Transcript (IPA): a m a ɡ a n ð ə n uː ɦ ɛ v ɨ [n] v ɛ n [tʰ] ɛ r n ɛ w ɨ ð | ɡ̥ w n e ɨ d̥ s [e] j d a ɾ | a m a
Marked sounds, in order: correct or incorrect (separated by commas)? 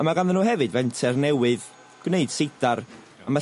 incorrect, correct, correct